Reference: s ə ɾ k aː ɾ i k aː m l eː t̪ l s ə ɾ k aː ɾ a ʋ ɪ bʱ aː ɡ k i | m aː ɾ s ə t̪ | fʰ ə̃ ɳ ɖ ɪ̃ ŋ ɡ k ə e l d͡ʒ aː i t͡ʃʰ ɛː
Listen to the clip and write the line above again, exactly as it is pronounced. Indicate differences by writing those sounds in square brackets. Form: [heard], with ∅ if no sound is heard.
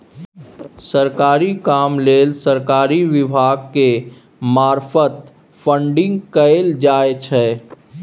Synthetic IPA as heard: s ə ɾ k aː ɾ i k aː m l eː [∅] l s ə ɾ k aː ɾ [i] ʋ ɪ bʱ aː ɡ k [e] | m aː ɾ [f] ə t̪ | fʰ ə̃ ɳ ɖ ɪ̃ ŋ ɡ k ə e l d͡ʒ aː [e] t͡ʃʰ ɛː